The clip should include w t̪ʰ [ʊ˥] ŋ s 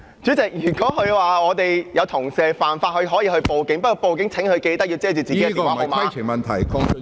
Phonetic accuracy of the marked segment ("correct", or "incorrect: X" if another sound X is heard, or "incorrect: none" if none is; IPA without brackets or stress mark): incorrect: ʊ˨˩